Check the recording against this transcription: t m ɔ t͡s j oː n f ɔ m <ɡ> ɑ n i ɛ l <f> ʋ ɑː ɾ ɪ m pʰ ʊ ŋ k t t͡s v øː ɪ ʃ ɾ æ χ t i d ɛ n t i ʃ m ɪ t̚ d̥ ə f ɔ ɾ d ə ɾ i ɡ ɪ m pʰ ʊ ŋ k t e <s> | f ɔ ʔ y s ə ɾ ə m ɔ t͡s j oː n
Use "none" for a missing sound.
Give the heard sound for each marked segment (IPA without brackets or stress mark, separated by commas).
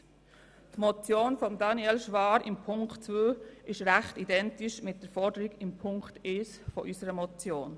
d, ʃ, s